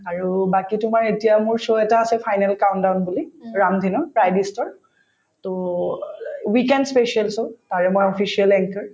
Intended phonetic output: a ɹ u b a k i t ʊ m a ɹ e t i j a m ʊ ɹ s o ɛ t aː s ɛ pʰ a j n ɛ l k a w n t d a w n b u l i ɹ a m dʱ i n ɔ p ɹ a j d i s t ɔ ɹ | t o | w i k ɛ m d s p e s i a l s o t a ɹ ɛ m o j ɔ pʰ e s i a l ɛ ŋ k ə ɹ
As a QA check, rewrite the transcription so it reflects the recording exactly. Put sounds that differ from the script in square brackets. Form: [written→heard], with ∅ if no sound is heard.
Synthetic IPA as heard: a ɹ u b a k i t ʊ m a ɹ e t i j a m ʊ ɹ s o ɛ t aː s ɛ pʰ a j n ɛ l k a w n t d a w n b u l i ɹ a m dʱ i n ɔ p ɹ a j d i s t ɔ ɹ | t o | w i k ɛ [m→n] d s p e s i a l s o t a ɹ ɛ m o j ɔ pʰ [e→i] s i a l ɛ ŋ k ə ɹ

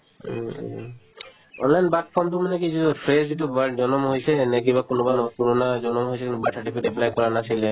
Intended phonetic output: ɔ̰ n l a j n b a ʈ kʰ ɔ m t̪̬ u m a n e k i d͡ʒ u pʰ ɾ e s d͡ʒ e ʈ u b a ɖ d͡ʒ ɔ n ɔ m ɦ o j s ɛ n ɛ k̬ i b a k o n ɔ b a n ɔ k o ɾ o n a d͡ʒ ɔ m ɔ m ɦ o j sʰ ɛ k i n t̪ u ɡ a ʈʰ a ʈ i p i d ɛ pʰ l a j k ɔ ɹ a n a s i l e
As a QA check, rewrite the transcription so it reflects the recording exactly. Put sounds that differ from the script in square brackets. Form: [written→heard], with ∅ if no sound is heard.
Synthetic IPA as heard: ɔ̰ n l a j n b a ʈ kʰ ɔ m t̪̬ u m a n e k i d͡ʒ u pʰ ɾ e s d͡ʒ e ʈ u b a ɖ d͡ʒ ɔ n ɔ m ɦ o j s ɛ n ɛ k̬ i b a k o n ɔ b a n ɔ k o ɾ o n a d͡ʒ ɔ [m→n] ɔ m ɦ o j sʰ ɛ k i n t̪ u [ɡ→b] a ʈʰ a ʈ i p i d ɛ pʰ l a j k ɔ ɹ a n a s i l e

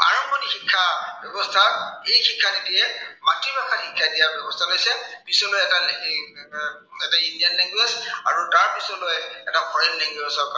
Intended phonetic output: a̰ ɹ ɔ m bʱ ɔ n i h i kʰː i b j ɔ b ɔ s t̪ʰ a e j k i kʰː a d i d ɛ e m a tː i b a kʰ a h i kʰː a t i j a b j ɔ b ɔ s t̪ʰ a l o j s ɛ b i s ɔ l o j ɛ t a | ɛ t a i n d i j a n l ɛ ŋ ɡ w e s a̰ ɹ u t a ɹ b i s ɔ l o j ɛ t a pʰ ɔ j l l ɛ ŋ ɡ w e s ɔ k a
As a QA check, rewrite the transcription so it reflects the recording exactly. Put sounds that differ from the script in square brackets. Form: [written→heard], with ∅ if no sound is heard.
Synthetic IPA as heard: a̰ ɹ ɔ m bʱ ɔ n i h i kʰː [i→a] b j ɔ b ɔ s t̪ʰ a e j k i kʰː a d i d [ɛ→i] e m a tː i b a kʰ a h i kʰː a [t→d] i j a b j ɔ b ɔ s t̪ʰ a l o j s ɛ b i s ɔ l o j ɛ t a | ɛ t a i n d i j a n l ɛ ŋ ɡ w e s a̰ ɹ u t a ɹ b i s ɔ l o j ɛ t a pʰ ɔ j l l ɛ ŋ ɡ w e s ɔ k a

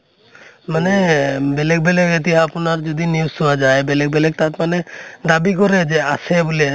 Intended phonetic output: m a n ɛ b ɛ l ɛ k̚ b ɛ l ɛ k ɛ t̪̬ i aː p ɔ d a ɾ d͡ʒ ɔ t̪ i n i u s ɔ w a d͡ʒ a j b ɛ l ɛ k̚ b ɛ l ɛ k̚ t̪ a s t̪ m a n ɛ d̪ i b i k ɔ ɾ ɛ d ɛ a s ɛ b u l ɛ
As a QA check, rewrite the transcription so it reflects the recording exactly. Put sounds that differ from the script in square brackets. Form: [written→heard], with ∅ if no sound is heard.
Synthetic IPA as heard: m a n ɛ b ɛ l ɛ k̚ b ɛ l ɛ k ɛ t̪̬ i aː p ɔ [d→n] a ɾ d͡ʒ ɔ [t̪→d̪] i n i u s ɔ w a d͡ʒ a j b ɛ l ɛ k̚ b ɛ l ɛ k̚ t̪ a [s→∅] t̪ m a n ɛ d̪ [i→a] b i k ɔ ɾ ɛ [d→d͡ʒ] ɛ a s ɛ b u l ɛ

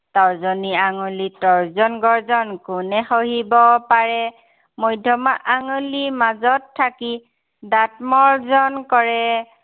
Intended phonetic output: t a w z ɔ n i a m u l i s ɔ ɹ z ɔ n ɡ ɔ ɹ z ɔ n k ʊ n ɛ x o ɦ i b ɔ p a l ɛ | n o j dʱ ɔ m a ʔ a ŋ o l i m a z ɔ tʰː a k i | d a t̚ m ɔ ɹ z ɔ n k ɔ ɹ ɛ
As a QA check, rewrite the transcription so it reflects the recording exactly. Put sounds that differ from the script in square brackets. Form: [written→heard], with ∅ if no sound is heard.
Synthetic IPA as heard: t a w z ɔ n i a [m→ŋ] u l i [s→t] ɔ ɹ z ɔ n ɡ ɔ ɹ z ɔ n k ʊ n ɛ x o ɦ i b ɔ p a [l→ɹ] ɛ | [n→m] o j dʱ ɔ m a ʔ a ŋ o l i m a z ɔ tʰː a k i | d a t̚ m ɔ ɹ z ɔ n k ɔ ɹ ɛ

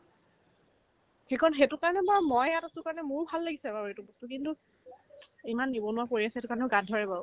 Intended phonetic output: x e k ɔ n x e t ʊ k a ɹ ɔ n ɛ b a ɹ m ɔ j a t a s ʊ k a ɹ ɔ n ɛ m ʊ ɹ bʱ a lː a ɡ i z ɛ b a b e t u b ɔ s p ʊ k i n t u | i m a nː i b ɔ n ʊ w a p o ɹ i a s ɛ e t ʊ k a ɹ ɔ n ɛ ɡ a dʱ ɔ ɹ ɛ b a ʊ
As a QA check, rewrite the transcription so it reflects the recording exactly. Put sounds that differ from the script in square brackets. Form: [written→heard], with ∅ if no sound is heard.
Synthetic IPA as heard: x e k ɔ n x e t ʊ k a ɹ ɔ n ɛ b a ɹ m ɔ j a t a s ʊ k a ɹ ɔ n ɛ m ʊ ɹ bʱ a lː a ɡ i [z→s] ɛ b a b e t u b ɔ s [p→t] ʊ k i n t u | i m a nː i b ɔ n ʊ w a p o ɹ i a s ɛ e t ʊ k a ɹ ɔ n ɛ ɡ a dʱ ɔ ɹ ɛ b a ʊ

